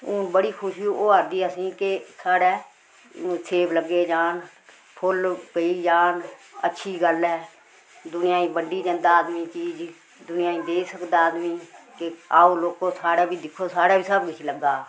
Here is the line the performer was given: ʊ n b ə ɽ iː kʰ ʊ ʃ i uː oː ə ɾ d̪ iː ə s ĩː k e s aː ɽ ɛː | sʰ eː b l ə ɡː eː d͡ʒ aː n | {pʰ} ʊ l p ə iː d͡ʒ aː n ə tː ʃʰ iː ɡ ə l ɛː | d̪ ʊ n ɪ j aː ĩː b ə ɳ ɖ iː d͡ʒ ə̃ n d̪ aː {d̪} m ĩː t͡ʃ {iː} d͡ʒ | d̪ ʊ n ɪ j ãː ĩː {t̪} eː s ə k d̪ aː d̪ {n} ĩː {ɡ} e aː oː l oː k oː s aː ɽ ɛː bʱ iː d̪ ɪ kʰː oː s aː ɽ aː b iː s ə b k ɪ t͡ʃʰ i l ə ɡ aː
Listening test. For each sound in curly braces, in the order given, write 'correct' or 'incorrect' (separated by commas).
correct, correct, correct, incorrect, incorrect, incorrect